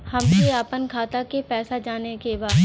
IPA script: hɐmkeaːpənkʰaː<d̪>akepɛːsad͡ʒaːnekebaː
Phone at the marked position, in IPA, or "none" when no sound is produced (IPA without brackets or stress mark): t̪